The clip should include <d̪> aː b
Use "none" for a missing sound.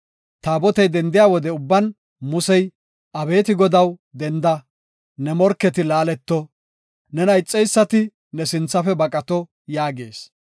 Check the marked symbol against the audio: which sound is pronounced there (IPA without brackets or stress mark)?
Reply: t̪